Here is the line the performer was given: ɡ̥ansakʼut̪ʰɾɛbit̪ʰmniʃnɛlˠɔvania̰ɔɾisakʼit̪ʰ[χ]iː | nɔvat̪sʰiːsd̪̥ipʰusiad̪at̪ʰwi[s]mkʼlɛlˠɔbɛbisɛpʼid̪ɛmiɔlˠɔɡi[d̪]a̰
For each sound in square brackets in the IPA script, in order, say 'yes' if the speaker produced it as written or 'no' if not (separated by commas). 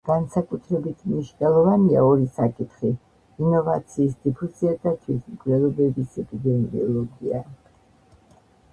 yes, yes, no